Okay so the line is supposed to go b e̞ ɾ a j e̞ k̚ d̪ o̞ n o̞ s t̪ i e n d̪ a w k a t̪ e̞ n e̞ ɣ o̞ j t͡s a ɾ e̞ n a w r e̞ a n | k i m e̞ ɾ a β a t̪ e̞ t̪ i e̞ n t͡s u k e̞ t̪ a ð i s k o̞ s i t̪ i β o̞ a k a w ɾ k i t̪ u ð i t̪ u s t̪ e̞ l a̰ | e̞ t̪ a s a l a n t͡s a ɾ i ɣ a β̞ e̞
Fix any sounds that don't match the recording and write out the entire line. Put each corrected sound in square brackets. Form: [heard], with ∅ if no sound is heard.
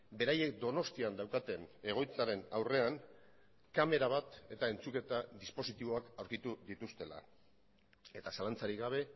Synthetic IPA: b e̞ ɾ a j e̞ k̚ d̪ o̞ n o̞ s t̪ i [a] n d̪ a w k a t̪ e̞ n e̞ ɣ o̞ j t͡s a ɾ e̞ n a w r e̞ a n | k [a] m e̞ ɾ a β a t̪ e̞ t̪ [a] e̞ n t͡s u k e̞ t̪ a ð i s [p] o̞ s i t̪ i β o̞ a k a w ɾ k i t̪ u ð i t̪ u s t̪ e̞ l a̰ | e̞ t̪ a s a l a n t͡s a ɾ i ɣ a β̞ e̞